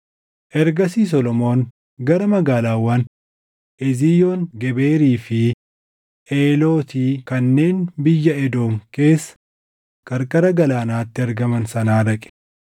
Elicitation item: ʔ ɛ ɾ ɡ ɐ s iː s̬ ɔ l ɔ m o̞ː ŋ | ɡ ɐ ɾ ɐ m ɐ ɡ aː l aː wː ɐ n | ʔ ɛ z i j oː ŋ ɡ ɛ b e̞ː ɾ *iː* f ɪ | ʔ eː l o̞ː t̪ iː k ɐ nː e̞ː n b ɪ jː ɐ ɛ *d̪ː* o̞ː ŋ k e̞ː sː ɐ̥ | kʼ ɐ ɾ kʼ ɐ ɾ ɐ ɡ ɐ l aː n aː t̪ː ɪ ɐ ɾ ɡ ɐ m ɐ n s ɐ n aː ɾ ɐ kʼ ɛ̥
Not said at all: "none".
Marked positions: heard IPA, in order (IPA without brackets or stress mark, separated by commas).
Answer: iː, d̪